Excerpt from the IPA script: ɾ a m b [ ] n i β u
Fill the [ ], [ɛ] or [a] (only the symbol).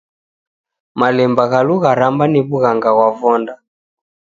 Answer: a